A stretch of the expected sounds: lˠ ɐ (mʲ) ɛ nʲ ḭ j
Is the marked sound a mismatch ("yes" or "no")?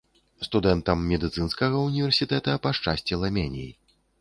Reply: no